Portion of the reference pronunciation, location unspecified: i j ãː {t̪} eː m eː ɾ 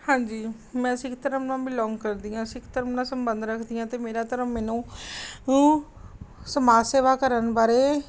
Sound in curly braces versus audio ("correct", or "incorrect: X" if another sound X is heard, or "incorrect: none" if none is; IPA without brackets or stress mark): correct